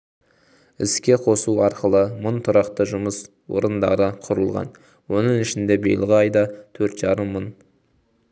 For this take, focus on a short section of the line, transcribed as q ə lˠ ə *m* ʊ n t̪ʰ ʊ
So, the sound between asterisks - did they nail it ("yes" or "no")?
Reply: yes